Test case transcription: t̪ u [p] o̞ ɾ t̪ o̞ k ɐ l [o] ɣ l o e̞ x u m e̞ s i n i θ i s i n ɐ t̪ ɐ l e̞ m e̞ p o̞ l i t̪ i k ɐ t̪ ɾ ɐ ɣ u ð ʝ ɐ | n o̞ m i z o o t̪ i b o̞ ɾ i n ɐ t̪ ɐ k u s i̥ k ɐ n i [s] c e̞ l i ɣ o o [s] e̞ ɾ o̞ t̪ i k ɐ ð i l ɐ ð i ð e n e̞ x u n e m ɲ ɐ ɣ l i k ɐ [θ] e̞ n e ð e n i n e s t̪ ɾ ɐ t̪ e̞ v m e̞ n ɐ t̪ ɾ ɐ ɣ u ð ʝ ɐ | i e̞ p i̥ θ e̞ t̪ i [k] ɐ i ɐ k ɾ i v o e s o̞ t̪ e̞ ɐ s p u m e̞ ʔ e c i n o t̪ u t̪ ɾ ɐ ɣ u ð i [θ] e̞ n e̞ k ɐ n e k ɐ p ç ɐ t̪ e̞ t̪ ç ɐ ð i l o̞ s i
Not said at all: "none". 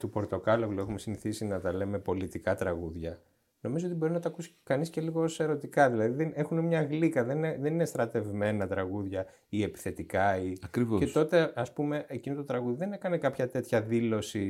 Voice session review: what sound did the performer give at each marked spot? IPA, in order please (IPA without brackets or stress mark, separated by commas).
p, o, s, s, ð, k, ð